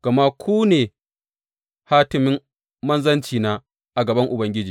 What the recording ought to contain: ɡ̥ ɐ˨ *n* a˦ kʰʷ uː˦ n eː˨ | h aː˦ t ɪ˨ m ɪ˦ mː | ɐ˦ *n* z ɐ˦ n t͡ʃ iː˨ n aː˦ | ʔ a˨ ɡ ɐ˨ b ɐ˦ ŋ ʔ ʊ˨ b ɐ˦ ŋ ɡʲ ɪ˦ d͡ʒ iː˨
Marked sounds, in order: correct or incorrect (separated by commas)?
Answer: incorrect, correct